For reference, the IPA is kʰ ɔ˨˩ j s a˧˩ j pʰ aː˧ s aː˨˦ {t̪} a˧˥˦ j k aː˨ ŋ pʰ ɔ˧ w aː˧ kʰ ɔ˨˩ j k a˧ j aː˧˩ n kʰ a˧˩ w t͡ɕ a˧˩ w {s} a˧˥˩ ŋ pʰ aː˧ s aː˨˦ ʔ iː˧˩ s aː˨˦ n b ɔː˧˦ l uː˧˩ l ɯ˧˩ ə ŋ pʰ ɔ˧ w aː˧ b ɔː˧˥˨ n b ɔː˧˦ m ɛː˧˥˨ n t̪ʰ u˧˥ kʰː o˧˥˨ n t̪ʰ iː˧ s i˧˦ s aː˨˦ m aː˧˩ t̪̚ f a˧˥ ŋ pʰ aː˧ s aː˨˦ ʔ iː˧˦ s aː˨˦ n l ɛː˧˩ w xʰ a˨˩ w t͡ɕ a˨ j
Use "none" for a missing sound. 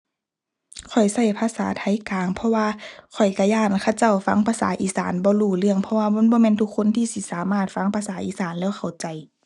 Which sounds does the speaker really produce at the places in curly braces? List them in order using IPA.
t̪ʰ, f

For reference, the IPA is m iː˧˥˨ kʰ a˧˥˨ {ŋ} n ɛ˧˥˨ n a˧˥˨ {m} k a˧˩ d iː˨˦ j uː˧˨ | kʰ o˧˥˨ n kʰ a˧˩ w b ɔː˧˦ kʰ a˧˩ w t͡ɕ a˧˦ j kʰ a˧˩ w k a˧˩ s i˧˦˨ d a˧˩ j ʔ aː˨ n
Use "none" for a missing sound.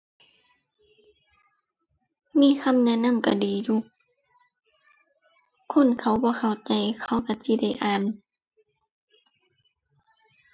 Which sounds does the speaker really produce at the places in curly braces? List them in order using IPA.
m, m

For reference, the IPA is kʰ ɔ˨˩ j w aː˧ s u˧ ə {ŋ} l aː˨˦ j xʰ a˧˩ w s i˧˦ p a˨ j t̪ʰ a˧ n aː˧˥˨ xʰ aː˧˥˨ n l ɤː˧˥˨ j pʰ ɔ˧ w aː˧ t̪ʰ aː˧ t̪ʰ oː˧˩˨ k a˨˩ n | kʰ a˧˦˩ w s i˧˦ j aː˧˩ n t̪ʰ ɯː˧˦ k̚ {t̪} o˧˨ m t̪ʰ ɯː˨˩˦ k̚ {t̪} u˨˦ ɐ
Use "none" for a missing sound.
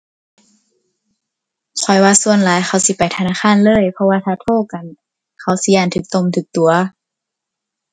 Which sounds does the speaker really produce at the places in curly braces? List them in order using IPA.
n, t̪, t̪

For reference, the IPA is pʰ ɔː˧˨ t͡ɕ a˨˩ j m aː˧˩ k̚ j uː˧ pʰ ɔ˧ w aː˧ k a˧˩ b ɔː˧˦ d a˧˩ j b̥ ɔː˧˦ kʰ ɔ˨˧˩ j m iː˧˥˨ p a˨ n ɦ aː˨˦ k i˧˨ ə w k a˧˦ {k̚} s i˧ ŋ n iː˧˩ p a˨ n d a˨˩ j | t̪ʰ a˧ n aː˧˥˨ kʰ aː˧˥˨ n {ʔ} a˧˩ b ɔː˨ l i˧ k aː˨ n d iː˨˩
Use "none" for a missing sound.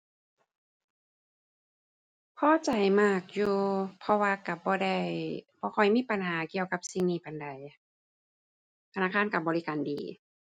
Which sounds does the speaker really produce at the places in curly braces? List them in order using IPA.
p̚, k

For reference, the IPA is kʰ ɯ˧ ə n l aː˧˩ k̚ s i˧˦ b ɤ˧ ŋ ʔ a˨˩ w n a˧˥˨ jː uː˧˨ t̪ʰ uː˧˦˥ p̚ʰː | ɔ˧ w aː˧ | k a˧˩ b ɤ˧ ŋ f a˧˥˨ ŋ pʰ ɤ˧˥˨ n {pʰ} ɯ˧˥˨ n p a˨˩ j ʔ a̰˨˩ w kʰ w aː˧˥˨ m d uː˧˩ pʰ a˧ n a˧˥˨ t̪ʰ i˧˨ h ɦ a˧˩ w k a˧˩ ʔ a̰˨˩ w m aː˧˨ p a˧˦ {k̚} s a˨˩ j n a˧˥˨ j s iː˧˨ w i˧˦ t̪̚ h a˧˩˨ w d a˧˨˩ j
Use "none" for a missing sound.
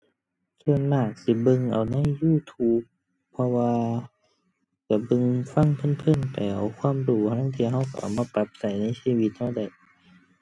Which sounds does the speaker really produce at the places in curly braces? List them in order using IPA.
pʰ, p̚

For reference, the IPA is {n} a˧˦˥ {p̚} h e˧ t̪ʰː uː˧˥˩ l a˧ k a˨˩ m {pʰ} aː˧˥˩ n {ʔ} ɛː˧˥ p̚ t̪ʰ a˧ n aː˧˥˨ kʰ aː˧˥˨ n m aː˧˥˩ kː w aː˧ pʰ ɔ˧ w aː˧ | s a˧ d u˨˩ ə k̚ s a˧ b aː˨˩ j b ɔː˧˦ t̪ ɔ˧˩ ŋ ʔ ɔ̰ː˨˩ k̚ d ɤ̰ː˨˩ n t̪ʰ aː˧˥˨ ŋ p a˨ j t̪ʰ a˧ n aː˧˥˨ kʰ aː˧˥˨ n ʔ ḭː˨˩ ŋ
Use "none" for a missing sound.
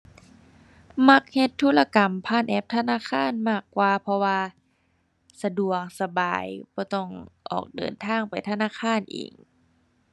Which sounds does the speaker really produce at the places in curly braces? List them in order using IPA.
m, k̚, pʰ, ʔ

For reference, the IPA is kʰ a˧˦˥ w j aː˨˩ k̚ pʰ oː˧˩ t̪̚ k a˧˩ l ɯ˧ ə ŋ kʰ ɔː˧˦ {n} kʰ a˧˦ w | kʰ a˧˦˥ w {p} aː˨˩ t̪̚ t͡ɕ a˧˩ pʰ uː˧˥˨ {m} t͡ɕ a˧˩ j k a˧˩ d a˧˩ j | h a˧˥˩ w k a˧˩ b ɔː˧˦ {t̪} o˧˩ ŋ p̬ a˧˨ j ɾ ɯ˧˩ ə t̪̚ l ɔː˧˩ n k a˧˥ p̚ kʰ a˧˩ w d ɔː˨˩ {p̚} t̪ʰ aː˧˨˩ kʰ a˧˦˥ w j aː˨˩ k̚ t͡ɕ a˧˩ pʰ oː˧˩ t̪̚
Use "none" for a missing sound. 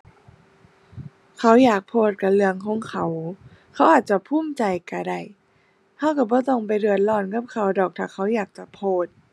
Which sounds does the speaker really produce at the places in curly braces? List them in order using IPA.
ŋ, ʔ, m, t̪, k̚

